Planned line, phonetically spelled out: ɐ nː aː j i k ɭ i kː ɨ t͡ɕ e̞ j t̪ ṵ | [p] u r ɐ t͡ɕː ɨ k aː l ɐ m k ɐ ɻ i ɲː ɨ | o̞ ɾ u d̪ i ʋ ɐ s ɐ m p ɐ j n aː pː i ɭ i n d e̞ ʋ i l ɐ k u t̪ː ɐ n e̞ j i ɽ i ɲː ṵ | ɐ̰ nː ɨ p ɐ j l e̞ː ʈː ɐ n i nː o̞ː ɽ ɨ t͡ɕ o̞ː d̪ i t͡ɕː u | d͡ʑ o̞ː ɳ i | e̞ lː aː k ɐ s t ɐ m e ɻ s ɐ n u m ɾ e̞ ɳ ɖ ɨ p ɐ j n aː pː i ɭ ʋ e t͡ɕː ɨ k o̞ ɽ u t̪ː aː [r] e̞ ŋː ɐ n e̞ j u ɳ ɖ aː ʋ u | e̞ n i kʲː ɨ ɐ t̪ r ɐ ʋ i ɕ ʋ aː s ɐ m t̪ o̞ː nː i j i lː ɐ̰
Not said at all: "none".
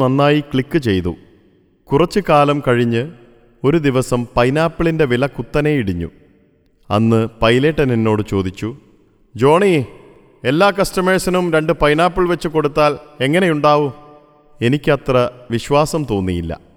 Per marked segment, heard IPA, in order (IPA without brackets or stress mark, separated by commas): k, l